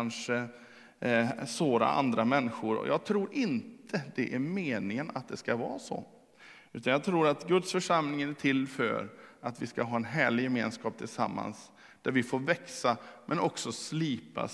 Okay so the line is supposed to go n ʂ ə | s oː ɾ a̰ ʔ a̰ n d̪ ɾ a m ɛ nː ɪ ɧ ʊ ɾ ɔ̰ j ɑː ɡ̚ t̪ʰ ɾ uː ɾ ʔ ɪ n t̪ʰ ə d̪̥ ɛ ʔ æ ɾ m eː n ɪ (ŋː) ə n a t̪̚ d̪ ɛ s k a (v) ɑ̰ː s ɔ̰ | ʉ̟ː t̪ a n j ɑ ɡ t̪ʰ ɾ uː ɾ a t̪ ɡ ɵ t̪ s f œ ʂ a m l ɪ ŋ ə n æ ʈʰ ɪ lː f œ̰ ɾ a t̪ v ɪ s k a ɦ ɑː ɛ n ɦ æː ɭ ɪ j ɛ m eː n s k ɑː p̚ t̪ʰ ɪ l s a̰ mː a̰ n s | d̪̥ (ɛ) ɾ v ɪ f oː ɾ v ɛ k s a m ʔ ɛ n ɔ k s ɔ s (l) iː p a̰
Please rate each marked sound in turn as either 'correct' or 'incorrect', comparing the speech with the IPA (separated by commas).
incorrect, correct, incorrect, correct